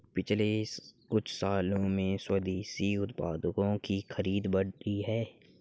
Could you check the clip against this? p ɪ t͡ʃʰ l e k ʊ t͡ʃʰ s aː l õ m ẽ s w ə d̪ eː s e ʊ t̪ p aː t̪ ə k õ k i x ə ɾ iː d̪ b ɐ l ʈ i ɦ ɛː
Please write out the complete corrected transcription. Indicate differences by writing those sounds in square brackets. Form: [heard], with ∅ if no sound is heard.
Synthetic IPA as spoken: p ɪ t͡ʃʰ l e k ʊ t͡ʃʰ s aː l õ m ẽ s w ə d̪ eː s [i] ʊ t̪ p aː [d̪] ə k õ k i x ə ɾ iː d̪ b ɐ [ɽ] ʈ i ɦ ɛː